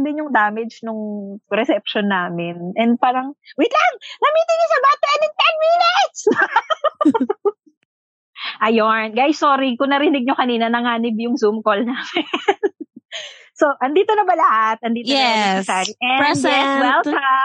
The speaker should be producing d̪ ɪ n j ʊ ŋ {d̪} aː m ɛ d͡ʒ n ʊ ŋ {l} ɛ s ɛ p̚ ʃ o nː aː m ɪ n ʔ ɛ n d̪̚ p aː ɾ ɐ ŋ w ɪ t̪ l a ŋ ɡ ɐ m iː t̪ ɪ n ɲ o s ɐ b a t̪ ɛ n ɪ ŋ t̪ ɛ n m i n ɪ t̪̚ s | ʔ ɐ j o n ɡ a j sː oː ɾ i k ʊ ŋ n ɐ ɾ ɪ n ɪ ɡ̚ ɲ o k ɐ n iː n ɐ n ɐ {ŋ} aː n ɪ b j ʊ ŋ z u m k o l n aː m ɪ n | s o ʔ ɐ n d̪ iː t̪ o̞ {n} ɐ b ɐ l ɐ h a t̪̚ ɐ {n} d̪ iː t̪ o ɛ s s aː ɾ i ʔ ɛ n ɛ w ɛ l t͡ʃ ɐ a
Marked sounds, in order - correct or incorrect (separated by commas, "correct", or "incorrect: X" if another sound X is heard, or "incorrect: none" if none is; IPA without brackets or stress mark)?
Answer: correct, incorrect: ɾ, correct, correct, correct